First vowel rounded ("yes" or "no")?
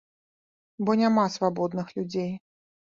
yes